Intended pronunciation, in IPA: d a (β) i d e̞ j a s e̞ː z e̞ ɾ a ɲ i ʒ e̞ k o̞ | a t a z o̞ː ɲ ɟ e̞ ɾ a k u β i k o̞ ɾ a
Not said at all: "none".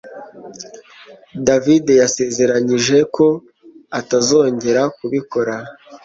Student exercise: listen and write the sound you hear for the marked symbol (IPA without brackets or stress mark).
v